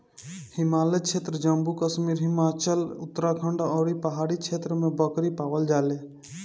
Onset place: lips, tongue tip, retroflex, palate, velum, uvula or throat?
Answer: throat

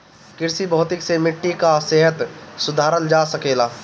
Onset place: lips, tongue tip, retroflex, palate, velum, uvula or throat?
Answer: velum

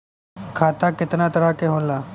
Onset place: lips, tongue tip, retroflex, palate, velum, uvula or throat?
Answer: velum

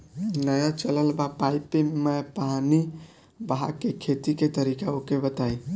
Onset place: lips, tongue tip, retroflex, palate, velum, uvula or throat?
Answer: tongue tip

